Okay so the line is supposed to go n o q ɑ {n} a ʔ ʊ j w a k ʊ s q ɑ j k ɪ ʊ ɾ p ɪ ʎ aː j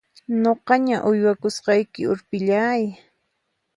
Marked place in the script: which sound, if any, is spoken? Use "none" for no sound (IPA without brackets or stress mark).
ɲ